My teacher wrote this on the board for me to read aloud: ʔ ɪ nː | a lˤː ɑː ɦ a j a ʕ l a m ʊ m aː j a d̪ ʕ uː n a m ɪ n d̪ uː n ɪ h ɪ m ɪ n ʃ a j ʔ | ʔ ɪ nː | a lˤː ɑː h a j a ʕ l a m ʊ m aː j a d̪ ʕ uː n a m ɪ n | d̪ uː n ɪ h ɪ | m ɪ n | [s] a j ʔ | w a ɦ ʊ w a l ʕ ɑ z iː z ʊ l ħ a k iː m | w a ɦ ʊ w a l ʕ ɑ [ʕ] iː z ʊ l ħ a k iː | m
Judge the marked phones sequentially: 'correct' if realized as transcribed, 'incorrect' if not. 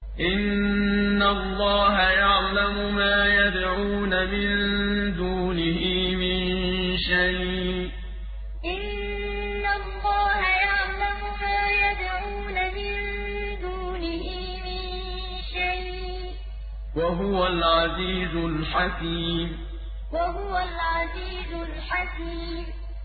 incorrect, incorrect

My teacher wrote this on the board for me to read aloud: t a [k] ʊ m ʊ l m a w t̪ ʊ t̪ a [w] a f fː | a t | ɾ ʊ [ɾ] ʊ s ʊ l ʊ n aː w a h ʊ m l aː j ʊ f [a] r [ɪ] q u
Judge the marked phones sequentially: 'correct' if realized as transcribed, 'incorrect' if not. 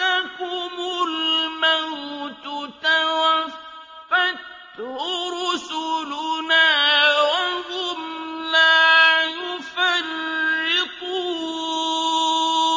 correct, correct, correct, correct, correct

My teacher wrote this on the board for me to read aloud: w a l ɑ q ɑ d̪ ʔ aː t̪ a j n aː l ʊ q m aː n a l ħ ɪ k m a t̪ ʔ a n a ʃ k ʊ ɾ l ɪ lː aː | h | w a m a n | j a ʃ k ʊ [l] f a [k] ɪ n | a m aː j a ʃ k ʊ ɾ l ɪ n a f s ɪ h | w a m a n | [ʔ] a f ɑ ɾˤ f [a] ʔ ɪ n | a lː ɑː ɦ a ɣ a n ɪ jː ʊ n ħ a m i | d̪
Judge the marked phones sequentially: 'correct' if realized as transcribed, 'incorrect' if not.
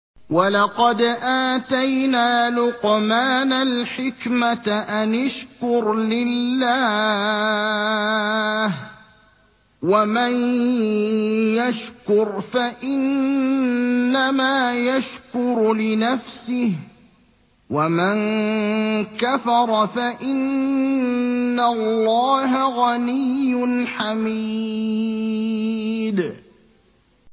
incorrect, incorrect, incorrect, correct

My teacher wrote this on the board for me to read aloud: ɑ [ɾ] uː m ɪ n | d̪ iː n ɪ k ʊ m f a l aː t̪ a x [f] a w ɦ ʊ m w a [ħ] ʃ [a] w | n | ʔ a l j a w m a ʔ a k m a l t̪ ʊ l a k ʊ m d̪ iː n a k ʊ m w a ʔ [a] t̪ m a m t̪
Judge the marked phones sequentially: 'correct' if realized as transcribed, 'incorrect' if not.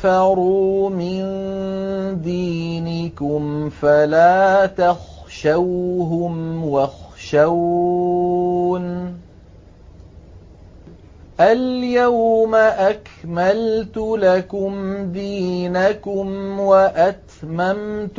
correct, incorrect, incorrect, correct, correct

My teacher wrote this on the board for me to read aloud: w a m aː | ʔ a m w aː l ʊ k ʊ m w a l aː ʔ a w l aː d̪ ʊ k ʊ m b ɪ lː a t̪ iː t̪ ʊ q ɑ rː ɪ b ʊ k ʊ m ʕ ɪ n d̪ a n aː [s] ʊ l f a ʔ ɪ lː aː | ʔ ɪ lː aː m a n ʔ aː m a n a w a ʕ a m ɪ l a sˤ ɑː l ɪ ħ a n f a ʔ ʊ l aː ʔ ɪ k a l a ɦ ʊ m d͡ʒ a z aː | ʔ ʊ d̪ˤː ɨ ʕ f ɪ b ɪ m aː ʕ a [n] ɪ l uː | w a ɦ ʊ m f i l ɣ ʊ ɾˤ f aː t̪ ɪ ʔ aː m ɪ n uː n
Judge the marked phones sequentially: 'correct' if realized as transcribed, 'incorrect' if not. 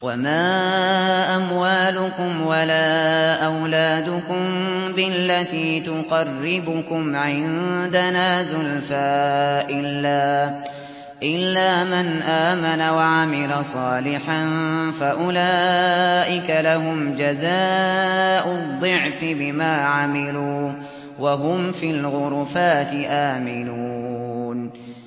incorrect, incorrect

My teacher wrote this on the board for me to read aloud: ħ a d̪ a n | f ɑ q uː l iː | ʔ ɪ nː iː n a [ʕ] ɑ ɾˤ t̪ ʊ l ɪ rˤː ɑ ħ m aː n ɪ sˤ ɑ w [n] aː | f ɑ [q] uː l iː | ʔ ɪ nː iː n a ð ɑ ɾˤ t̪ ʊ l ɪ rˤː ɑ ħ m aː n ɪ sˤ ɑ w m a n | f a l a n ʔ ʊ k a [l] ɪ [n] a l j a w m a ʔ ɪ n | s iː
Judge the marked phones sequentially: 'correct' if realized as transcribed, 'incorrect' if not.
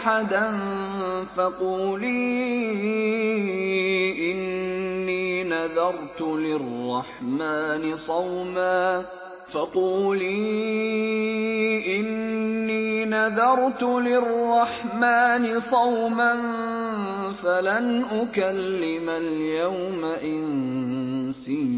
incorrect, incorrect, correct, incorrect, incorrect

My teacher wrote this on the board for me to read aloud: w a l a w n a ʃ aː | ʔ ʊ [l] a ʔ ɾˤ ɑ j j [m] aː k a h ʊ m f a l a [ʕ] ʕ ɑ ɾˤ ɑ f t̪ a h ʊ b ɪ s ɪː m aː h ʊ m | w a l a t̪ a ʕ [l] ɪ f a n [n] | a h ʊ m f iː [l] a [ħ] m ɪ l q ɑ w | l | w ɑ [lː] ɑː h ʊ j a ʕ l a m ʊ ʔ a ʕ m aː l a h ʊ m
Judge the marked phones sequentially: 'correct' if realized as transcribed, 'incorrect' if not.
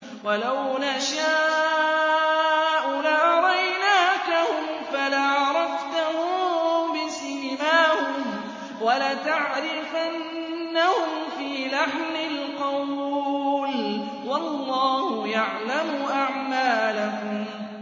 correct, incorrect, correct, incorrect, incorrect, correct, correct, correct

